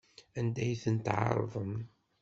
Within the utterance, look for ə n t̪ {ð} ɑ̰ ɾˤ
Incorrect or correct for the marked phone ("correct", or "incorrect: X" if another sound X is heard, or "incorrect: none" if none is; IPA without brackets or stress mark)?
incorrect: ʕ